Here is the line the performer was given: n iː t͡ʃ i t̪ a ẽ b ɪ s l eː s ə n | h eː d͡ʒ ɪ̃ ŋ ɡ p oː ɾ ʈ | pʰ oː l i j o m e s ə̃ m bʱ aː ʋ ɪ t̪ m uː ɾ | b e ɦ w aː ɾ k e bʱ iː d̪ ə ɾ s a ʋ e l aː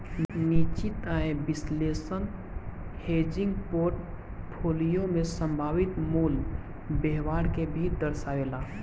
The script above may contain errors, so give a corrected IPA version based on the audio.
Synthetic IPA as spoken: n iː t͡ʃ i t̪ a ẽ b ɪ s l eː s ə n | h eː d͡ʒ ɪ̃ ŋ ɡ p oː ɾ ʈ | pʰ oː l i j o m e s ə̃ m bʱ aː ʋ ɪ t̪ m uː l | b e ɦ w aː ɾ k e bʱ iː d̪ ə ɾ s a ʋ e l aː